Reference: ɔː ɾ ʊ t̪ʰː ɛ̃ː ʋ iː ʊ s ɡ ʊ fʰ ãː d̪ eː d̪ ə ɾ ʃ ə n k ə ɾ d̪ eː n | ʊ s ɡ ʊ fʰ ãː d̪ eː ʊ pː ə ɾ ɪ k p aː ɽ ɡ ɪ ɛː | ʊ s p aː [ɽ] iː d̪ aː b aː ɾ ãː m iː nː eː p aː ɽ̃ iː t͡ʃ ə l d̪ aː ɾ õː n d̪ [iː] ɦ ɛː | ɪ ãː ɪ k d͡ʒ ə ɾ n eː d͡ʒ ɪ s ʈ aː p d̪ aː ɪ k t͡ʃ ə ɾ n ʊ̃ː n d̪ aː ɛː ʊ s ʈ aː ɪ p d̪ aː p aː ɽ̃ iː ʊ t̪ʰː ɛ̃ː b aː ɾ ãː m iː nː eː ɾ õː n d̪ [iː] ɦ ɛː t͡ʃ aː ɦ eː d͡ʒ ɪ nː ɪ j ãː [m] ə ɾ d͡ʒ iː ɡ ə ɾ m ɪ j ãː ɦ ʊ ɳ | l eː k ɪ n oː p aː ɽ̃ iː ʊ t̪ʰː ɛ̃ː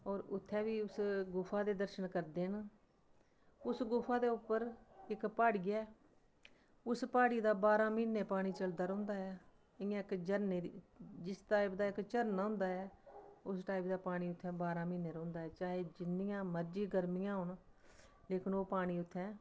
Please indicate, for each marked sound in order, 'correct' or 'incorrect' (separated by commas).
correct, incorrect, incorrect, correct